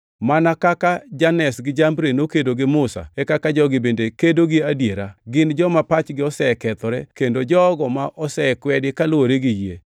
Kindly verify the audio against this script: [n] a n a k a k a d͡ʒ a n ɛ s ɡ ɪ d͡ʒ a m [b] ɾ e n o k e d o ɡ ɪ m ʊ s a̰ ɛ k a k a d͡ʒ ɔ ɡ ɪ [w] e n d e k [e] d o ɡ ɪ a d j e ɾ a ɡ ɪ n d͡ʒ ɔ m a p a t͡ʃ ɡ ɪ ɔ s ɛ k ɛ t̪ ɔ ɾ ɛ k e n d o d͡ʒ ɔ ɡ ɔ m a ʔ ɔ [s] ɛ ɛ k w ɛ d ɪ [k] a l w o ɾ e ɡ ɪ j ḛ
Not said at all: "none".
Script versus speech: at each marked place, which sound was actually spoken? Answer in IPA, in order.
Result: m, b, b, e, s, k

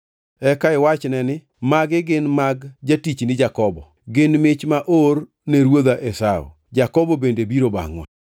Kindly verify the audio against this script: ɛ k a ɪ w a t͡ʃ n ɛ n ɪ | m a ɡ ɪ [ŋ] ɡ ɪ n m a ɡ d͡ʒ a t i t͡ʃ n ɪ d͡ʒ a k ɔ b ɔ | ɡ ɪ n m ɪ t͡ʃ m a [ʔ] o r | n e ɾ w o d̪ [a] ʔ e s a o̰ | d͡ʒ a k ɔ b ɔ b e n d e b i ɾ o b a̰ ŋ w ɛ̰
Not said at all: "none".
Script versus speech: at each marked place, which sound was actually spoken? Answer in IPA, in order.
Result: none, ʔ, a

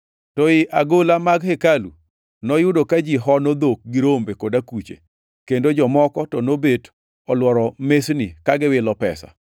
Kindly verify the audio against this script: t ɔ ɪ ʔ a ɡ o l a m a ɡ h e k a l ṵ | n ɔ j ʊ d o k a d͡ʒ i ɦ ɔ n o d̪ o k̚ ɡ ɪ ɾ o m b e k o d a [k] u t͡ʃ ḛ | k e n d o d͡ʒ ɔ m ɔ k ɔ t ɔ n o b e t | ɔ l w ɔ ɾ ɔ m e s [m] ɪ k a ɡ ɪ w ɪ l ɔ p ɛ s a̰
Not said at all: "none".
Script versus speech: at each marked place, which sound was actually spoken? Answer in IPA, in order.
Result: k, n

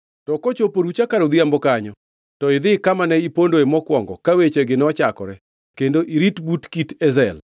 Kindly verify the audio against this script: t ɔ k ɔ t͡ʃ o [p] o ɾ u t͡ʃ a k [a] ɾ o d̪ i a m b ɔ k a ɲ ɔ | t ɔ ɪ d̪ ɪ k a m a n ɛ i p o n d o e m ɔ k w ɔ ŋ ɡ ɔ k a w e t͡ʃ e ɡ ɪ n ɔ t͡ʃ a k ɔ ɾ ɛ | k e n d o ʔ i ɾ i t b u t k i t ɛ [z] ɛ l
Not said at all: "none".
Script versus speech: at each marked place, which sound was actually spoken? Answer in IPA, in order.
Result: p, a, z

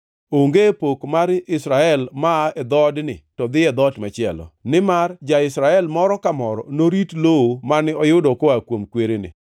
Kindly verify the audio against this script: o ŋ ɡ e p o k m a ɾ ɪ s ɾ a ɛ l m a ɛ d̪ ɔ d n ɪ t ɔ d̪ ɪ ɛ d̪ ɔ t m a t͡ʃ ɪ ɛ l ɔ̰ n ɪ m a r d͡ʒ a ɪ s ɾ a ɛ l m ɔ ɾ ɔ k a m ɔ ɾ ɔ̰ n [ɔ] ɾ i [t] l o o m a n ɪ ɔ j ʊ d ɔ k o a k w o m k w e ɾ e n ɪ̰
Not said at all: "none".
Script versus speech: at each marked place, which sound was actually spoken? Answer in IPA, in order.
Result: o, t

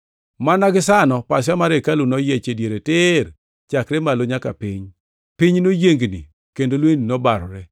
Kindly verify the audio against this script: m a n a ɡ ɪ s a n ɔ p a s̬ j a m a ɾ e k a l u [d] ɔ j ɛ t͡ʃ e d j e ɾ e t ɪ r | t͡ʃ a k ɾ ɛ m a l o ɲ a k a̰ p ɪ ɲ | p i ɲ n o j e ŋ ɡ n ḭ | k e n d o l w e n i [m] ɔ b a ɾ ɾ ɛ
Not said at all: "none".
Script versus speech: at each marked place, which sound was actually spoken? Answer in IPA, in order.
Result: n, n

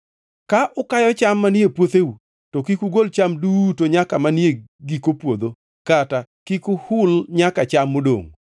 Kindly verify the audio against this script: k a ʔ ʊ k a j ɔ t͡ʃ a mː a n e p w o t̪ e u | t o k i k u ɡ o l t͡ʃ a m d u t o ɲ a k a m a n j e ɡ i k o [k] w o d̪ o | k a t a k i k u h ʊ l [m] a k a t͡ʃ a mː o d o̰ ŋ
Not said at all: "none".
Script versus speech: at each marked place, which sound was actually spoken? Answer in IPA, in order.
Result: p, ɲ

